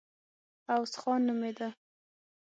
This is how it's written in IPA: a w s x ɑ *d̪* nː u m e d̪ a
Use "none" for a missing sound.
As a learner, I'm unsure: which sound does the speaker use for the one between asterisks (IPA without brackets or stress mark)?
none